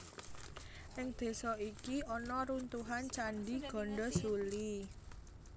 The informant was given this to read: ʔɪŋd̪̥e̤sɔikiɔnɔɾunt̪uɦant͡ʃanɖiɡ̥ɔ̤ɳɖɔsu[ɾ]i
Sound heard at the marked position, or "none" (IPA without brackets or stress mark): l